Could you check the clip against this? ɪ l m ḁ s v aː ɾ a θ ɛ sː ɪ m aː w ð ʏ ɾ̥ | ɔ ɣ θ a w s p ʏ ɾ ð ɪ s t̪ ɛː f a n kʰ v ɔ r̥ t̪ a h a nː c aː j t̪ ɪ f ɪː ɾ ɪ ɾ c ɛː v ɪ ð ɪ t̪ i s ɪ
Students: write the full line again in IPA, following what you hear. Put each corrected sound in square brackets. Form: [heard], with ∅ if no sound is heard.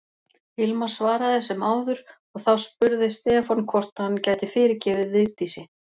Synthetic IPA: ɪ l m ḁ s v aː ɾ a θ ɛ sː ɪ m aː w ð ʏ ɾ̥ | ɔ ɣ θ a w s p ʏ ɾ ð ɪ s t̪ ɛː f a n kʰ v ɔ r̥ t̪ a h a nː c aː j t̪ ɪ f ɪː ɾ ɪ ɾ c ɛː v ɪ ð ɪ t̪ i s ɪ